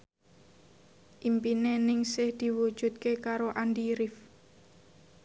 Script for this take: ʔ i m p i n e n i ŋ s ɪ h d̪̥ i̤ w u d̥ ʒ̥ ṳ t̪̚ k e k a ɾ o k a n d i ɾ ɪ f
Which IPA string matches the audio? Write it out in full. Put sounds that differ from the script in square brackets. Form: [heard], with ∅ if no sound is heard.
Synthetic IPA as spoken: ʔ i m p i n e n [ɪ] ŋ s ɪ h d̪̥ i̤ w u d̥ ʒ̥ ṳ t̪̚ k e k a ɾ o [ʔ] a n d i ɾ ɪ f